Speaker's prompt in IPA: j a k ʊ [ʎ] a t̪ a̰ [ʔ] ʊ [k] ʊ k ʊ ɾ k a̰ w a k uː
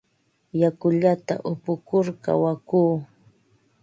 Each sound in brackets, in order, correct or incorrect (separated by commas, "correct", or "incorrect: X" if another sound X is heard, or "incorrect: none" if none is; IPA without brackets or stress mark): correct, correct, incorrect: p